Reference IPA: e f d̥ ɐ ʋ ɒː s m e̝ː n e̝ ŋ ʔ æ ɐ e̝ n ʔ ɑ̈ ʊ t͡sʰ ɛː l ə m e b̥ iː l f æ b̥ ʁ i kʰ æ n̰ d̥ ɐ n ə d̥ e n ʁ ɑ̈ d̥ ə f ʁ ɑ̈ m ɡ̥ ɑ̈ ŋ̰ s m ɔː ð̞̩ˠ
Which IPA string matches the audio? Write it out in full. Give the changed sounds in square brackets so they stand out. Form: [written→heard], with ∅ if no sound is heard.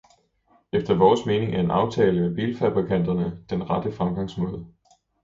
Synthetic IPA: e f d̥ ɐ ʋ ɒː s m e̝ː n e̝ ŋ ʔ æ ɐ e̝ n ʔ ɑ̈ ʊ t͡sʰ ɛː l ə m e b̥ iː l f æ b̥ ʁ i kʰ æ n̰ d̥ ɐ n ə d̥ e n ʁ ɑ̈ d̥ ə f ʁ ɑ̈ m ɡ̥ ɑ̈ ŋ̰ s m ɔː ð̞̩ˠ